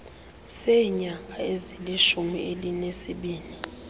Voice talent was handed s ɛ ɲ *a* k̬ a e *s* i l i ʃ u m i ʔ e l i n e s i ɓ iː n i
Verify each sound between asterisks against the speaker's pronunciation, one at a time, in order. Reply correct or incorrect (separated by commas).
correct, incorrect